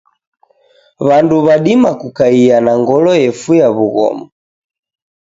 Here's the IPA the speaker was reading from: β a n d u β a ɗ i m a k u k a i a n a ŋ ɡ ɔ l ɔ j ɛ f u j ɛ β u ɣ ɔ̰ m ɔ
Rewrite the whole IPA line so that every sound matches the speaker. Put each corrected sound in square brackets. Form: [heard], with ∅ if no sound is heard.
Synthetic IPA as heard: β a n d u β a ɗ i m a k u k a i a n a ŋ ɡ ɔ l ɔ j ɛ f u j [a] β u ɣ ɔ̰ m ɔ